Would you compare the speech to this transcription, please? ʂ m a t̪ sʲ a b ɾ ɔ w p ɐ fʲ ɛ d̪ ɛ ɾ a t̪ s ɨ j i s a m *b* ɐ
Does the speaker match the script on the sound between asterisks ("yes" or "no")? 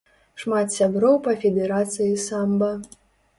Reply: yes